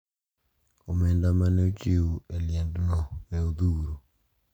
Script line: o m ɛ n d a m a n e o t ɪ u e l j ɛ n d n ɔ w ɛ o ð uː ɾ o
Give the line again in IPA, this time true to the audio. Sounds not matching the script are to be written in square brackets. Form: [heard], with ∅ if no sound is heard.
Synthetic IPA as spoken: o m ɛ n d a m a n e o [t͡ʃ] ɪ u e l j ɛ n d n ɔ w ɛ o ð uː ɾ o